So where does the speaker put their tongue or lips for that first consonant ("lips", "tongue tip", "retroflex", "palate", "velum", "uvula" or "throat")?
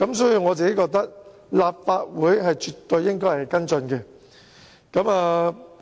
velum